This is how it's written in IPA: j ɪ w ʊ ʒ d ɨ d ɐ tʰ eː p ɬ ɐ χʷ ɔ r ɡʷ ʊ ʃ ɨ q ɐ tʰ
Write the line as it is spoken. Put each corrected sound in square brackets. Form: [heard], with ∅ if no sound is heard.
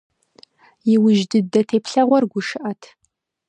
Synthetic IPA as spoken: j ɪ w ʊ ʒ d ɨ d ɐ tʰ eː p ɬ ɐ [ʁʷ] ɔ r ɡʷ ʊ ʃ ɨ [ʔ] ɐ tʰ